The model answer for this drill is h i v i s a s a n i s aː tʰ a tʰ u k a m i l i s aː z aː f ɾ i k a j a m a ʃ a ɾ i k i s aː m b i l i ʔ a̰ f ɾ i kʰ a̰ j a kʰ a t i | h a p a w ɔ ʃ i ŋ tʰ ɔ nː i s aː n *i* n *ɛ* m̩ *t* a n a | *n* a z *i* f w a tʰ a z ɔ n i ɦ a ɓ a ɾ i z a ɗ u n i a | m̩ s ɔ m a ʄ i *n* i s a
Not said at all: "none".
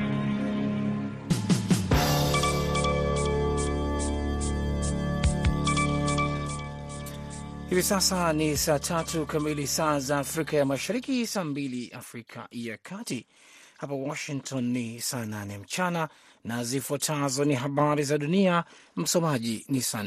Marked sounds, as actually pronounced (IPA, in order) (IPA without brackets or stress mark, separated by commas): a, ɛ, t͡ʃ, n, i, n